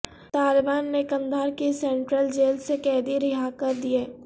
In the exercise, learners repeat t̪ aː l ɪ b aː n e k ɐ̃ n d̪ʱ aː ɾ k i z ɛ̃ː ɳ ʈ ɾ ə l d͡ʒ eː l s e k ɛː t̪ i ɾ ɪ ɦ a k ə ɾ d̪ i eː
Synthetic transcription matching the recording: t̪ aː l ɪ b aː nː e k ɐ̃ n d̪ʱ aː ɾ k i s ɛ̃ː ɳ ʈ ɾ ə l d͡ʒ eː l s e k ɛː d̪ i ɾ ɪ ɦ a k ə ɾ d̪ i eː